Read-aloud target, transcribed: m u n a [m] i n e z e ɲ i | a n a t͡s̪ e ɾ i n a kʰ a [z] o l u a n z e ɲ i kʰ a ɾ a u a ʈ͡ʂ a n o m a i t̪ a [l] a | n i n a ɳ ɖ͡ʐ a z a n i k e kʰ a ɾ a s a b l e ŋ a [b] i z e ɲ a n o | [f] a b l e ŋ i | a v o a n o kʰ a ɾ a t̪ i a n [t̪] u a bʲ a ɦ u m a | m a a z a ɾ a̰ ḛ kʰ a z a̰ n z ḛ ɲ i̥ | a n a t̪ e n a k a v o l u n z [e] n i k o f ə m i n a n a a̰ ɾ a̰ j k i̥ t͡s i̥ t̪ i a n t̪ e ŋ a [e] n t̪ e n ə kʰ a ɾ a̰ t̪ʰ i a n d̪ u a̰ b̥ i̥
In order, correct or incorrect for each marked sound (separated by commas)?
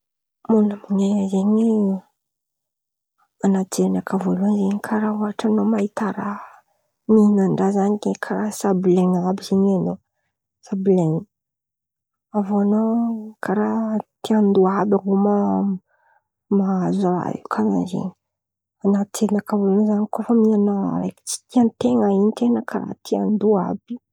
correct, incorrect, incorrect, correct, incorrect, incorrect, incorrect, incorrect